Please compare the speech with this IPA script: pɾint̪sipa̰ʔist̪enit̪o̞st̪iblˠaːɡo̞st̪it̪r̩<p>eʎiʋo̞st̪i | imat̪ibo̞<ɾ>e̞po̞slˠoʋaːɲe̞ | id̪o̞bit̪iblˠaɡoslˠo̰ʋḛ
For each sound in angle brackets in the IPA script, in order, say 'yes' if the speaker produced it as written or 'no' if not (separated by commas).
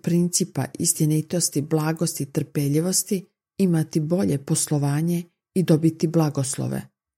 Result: yes, no